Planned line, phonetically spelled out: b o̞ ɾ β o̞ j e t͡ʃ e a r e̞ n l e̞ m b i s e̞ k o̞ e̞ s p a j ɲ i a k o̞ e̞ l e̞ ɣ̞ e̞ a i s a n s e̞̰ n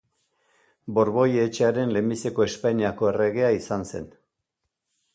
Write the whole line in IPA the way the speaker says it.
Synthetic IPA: b o̞ ɾ β o̞ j e t͡ʃ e a ɾ e̞ n l e̞ m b i s e̞ k o̞ e̞ s p a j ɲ i a k o̞ e̞ r e̞ ɣ̞ e̞ a i s a n s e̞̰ n